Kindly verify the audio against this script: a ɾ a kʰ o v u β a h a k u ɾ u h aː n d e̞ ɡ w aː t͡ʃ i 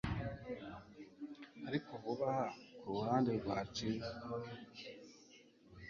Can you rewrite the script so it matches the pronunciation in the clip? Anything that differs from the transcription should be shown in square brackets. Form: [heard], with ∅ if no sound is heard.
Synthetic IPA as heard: a ɾ [i] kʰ o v u β a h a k u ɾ u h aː n d e̞ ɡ w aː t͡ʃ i